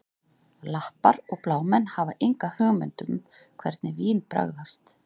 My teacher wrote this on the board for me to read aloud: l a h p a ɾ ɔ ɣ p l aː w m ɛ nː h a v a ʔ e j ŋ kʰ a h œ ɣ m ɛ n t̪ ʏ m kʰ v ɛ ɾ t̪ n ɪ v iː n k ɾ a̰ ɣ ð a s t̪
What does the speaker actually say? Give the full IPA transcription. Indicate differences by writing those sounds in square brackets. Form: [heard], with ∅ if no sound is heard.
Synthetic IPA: l a h p a ɾ ɔ ɣ p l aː w m ɛ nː h a v a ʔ e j ŋ [k] a h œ ɣ m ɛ n t̪ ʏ m kʰ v ɛ ɾ t̪ n ɪ v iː n [p] ɾ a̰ ɣ ð a s t̪